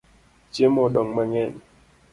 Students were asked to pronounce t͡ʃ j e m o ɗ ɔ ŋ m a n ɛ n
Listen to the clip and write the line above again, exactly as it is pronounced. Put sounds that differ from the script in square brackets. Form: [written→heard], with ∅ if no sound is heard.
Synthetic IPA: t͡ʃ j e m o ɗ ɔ ŋ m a [n→ŋ] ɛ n